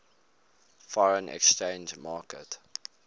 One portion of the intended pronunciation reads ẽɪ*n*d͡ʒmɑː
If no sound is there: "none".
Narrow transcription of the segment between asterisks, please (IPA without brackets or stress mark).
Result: n